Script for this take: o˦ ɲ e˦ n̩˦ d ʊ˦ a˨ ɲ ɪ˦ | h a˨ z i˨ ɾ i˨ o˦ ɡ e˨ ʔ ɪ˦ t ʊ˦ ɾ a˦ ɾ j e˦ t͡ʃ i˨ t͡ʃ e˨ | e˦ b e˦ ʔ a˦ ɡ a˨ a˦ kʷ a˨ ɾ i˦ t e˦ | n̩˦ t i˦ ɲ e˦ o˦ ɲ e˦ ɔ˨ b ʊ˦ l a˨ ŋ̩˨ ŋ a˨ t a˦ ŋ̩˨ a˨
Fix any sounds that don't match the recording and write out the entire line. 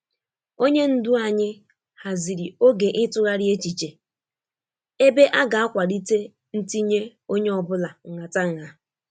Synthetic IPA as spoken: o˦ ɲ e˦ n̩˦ d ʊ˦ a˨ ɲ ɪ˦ | h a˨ z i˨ ɾ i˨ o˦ ɡ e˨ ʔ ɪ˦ t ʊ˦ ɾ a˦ ɾ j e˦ t͡ʃ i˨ t͡ʃ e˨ | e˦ b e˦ ʔ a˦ ɡ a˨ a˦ kʷ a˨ ɾ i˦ t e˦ | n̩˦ t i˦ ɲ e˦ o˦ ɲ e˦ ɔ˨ b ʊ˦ l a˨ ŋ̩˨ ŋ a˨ t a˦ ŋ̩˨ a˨